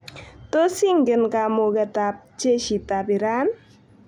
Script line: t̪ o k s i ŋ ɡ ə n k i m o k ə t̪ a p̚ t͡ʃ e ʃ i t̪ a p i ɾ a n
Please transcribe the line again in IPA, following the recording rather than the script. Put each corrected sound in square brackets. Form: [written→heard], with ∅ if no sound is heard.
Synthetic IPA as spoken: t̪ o [k→∅] s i ŋ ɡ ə n k [i→a] m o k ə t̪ a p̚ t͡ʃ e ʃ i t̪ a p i ɾ a n